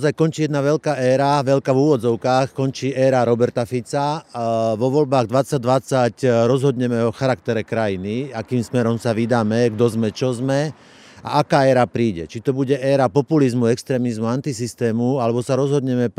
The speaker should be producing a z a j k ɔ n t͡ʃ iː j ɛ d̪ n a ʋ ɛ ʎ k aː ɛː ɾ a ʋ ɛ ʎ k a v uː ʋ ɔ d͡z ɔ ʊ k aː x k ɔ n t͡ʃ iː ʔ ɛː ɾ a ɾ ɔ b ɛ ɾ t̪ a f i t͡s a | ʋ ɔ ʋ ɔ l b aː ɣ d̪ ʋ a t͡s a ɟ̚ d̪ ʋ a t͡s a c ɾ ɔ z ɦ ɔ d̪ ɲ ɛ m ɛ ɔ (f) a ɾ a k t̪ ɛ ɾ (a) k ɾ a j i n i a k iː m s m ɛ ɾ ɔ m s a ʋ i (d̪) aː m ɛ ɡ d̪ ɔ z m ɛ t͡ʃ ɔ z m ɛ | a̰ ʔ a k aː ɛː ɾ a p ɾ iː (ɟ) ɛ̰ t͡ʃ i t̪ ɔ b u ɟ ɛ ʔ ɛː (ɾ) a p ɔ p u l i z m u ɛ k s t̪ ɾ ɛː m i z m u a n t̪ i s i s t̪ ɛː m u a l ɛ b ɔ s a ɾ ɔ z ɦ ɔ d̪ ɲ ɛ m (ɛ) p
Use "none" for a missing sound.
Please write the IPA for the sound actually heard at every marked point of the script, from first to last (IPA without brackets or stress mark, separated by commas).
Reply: x, ɛ, d̪, ɟ, ɾ, ɛ